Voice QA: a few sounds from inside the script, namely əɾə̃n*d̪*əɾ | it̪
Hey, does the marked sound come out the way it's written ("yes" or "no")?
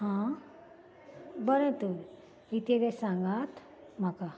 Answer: no